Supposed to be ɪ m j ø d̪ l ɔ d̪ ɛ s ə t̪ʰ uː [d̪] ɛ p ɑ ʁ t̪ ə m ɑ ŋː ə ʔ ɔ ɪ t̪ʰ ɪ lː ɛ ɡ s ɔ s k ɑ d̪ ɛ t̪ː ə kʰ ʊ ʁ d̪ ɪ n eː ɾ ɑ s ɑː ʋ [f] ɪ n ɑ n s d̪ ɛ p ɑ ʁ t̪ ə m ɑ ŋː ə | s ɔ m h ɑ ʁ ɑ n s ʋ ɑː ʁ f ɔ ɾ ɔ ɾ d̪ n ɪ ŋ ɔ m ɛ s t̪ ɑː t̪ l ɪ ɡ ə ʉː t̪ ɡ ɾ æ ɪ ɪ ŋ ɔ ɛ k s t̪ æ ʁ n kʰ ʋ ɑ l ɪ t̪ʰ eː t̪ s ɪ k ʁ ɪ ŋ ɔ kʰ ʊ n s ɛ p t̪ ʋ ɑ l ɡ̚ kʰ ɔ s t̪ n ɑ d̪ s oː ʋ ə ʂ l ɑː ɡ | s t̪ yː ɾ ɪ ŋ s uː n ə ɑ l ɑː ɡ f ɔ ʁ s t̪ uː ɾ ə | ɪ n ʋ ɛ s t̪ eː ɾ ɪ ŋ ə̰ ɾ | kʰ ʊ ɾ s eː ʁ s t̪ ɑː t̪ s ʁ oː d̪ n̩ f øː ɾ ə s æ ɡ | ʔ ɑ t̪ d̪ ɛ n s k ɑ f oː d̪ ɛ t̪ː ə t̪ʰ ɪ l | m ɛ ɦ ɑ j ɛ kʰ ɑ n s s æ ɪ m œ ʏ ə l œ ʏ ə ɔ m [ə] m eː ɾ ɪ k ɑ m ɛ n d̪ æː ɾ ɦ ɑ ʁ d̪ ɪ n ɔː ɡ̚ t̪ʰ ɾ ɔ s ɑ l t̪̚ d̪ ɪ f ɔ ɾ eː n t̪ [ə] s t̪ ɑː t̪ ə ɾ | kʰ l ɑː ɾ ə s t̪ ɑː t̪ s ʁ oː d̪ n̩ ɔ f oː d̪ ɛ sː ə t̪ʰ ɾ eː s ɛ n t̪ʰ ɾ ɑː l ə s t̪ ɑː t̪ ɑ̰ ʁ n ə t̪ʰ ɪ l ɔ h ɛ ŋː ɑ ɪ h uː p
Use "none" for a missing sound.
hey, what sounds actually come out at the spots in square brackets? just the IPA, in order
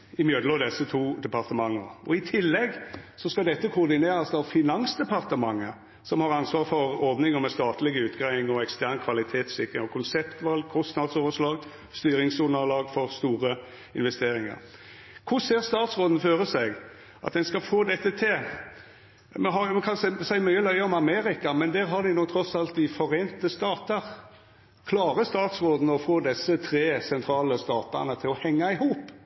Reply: d̪, f, ɑ, ə

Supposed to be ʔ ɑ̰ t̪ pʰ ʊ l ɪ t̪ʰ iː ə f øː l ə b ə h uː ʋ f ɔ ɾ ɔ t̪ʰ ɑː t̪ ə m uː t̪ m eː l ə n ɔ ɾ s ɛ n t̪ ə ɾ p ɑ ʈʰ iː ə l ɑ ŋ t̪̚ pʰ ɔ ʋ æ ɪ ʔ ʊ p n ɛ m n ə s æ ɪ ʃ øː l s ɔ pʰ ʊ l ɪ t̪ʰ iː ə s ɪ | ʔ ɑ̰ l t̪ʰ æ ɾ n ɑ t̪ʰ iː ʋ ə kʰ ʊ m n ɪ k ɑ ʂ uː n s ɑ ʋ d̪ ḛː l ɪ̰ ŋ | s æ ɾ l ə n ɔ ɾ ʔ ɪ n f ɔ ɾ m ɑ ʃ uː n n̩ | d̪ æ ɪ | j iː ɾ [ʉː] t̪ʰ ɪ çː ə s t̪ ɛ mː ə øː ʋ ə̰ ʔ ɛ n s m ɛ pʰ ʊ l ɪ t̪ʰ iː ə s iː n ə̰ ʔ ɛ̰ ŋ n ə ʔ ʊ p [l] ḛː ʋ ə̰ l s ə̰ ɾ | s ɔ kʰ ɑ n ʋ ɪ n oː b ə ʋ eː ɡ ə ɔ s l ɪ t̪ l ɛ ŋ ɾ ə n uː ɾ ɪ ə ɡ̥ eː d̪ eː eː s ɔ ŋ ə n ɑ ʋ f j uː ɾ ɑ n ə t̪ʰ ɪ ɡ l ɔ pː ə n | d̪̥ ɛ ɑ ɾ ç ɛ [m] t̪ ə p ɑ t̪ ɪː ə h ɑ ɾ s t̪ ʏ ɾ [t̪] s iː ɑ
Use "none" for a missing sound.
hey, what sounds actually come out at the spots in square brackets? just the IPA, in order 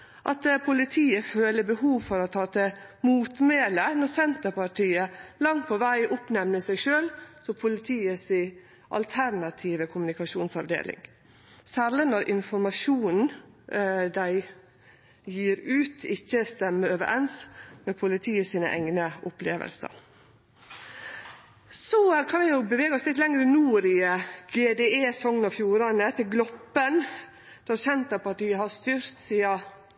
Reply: ʉː, l, n, t̪

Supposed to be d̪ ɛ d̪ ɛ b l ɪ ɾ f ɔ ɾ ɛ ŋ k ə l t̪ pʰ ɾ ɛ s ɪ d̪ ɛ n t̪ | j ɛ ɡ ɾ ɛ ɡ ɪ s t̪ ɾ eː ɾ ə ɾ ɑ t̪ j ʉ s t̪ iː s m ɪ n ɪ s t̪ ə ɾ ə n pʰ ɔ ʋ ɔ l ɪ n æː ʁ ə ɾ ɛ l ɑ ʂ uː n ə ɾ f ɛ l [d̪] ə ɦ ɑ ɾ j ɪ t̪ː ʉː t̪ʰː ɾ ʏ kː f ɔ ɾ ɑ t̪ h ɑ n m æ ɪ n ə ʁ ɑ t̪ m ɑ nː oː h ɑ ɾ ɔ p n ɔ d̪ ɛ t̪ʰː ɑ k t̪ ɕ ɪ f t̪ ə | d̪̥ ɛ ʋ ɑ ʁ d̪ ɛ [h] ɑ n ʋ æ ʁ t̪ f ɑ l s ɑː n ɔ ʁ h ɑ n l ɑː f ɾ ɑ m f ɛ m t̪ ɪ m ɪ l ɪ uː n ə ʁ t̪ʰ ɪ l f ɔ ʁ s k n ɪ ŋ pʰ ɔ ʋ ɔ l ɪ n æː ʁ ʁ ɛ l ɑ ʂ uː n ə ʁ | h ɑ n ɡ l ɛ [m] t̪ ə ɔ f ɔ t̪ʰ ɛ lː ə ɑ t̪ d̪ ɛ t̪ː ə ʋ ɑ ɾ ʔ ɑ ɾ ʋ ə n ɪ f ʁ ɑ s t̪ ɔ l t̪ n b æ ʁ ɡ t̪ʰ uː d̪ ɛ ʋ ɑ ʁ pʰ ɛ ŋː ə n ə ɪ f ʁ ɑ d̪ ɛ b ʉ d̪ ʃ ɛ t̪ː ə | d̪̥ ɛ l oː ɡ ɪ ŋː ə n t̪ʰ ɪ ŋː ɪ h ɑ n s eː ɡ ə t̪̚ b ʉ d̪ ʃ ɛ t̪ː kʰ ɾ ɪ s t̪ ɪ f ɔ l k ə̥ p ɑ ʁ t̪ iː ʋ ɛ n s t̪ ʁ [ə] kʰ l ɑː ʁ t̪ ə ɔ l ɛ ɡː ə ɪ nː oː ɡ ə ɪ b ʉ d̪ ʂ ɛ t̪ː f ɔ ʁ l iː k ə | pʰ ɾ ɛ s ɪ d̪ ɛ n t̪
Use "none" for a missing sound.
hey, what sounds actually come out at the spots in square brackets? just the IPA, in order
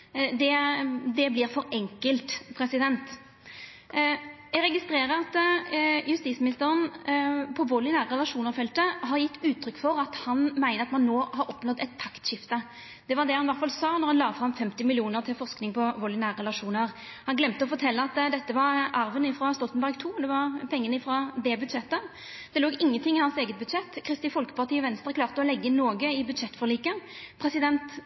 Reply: t̪, h, m, ə

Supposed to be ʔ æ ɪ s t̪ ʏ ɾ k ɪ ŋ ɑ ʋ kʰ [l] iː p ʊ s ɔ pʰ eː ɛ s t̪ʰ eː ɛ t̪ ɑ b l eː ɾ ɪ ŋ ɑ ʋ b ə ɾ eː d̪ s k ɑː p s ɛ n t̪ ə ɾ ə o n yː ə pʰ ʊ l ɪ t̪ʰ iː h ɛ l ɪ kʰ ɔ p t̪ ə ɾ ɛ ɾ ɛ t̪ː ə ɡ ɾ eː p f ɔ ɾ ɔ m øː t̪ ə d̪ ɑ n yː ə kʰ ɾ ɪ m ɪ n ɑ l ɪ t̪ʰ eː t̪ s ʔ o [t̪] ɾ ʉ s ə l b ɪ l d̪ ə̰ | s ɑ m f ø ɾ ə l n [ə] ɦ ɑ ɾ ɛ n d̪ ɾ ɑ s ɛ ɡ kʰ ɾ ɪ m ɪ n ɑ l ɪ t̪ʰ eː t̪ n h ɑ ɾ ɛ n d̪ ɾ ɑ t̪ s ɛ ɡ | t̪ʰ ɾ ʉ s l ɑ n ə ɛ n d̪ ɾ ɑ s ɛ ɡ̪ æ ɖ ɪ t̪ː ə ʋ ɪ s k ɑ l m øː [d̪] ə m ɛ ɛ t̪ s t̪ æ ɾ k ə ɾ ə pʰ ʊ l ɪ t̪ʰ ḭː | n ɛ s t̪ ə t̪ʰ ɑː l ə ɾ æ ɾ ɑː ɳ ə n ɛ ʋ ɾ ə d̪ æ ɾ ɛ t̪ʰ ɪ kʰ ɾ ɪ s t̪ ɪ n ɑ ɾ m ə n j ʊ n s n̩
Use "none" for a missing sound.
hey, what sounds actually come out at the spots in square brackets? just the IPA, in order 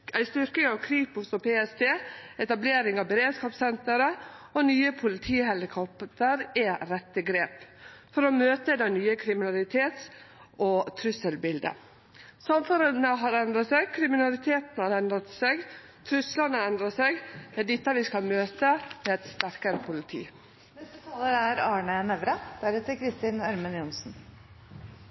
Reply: ɾ, t̪ʰ, ə, t̪

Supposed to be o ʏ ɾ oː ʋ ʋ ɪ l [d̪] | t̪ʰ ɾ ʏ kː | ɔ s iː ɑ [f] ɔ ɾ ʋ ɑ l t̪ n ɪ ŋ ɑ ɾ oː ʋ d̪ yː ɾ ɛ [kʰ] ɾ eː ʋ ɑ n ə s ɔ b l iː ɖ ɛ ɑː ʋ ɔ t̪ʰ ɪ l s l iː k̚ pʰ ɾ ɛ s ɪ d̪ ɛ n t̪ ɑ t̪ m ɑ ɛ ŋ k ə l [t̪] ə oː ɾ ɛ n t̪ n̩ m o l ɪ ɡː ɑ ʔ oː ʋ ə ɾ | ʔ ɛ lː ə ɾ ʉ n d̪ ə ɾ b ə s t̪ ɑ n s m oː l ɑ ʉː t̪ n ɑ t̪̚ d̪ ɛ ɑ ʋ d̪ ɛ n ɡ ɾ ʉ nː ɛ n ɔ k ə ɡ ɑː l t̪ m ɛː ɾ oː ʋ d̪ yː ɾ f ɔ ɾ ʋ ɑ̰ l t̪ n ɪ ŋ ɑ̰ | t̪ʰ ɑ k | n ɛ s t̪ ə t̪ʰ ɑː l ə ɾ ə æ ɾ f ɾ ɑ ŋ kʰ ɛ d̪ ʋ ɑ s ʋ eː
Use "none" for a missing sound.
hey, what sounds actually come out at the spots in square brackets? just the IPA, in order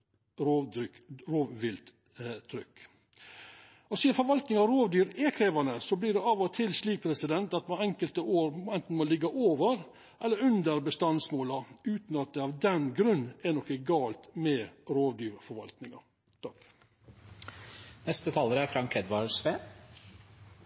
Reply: t̪, f, kʰ, t̪

